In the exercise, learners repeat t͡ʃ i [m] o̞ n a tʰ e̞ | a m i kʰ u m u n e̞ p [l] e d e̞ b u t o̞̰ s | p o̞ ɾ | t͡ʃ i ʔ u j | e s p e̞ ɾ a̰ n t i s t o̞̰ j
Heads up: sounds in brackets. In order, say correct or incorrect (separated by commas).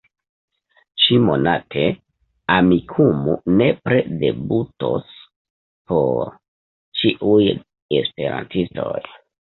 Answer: correct, incorrect